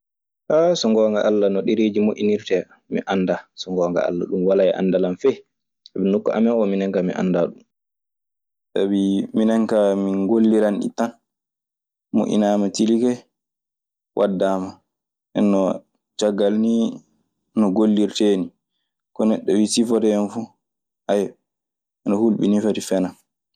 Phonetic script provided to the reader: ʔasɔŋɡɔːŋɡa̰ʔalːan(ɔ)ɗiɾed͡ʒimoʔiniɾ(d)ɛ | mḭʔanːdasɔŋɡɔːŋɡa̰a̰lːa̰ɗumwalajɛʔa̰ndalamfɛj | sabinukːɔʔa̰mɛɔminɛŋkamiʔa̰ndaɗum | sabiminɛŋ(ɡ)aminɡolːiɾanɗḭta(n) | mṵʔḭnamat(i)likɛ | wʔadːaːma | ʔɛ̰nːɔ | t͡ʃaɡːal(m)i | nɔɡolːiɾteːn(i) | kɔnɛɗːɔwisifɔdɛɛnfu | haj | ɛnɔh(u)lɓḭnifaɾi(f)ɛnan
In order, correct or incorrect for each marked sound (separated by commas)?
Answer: correct, incorrect, incorrect, correct, correct, incorrect, correct, correct, correct